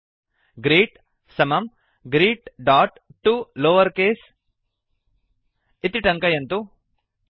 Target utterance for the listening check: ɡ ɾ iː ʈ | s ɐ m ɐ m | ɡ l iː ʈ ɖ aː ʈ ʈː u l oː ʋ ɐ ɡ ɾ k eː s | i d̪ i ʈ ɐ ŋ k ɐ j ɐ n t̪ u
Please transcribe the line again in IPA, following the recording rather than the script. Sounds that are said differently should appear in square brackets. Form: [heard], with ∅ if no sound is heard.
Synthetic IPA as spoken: ɡ ɾ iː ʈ | s ɐ m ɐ m | ɡ [ɾ] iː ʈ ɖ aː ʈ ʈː u l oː ʋ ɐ [∅] ɾ k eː s | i [t̪] i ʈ ɐ ŋ k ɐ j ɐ n t̪ u

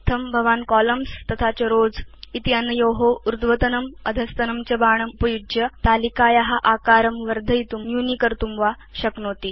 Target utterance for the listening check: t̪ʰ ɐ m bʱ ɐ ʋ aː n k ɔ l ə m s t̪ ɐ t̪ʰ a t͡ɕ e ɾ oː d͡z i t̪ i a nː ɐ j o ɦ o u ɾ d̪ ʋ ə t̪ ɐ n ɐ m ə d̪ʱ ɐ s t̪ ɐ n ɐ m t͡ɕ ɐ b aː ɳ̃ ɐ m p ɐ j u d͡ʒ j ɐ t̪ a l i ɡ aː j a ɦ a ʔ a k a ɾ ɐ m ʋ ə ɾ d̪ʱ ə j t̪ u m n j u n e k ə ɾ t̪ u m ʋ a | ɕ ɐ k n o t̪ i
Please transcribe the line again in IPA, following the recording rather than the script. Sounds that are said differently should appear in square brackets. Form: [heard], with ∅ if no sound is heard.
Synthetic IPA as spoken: t̪ʰ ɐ m bʱ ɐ ʋ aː n k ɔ l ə m s t̪ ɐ t̪ʰ a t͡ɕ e ɾ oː d͡z i t̪ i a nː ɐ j o ɦ o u ɾ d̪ ʋ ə t̪ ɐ n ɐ m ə d̪ʱ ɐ s t̪ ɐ n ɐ m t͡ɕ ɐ b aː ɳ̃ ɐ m p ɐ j u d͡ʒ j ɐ t̪ a l i [k] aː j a ɦ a ʔ a k a ɾ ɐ m ʋ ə ɾ d̪ʱ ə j t̪ u m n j u n [i] k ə ɾ t̪ u m ʋ a | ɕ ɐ k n o t̪ i

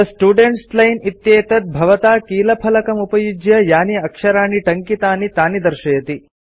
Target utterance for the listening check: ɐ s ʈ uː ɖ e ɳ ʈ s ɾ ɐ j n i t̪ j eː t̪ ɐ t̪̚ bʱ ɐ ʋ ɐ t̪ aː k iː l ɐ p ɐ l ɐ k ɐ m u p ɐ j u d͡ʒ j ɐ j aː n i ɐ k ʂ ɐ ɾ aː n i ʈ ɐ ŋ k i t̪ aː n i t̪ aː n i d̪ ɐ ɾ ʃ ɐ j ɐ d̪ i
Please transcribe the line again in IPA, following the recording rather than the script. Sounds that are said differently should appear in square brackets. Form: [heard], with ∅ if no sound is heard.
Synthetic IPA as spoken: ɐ s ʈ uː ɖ e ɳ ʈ s [l] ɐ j n i t̪ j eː t̪ ɐ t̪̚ bʱ ɐ ʋ ɐ t̪ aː k iː l ɐ [pʰ] ɐ l ɐ k ɐ m u p ɐ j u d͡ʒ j ɐ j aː n i ɐ k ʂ ɐ ɾ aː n i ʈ ɐ ŋ k i t̪ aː n i t̪ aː n i d̪ ɐ ɾ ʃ ɐ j ɐ [t̪] i

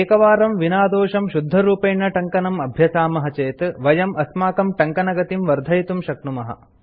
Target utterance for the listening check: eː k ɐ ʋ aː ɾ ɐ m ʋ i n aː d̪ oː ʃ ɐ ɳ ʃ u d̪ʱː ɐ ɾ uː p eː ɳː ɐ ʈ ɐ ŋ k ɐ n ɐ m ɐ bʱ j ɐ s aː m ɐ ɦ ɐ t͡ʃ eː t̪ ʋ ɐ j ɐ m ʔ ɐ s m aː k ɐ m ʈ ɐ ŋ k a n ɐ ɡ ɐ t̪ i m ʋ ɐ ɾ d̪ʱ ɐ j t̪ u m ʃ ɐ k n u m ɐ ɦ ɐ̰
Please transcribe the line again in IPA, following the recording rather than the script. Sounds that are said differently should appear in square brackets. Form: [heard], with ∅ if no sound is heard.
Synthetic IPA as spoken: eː k ɐ ʋ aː ɾ ɐ m ʋ i n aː d̪ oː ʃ ɐ [m] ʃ u d̪ʱː ɐ ɾ uː p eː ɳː ɐ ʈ ɐ ŋ k ɐ n ɐ m ɐ bʱ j ɐ s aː m ɐ ɦ ɐ t͡ʃ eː t̪ ʋ ɐ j ɐ m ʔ ɐ s m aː k ɐ m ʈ ɐ ŋ k [ɐ] n ɐ ɡ ɐ t̪ i m ʋ ɐ ɾ d̪ʱ ɐ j t̪ u m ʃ ɐ k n u m ɐ ɦ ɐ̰

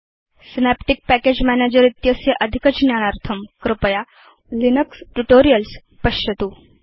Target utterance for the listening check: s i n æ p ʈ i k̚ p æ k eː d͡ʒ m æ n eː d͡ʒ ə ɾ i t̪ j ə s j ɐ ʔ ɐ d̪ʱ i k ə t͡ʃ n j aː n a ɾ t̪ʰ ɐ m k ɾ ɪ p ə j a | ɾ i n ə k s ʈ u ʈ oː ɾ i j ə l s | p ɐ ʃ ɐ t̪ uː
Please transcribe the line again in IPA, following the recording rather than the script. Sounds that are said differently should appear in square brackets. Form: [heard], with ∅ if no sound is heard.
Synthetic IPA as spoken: s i n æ p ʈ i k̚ p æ k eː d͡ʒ m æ n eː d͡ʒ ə ɾ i t̪ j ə s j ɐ ʔ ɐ d̪ʱ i k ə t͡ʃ n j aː n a ɾ t̪ʰ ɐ m k ɾ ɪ p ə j a | [l] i n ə k s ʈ u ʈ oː ɾ i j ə l s | p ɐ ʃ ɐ t̪ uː

